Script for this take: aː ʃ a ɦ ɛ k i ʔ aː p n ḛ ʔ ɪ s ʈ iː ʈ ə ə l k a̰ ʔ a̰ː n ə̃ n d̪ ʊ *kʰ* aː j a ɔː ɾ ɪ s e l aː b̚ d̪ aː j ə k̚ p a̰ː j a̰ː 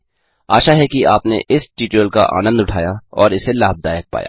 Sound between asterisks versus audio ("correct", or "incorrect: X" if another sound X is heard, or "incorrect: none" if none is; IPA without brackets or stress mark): incorrect: ʈʰ